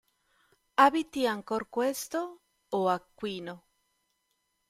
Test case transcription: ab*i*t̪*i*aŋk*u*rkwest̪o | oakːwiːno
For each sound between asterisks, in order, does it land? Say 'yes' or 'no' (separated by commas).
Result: yes, yes, no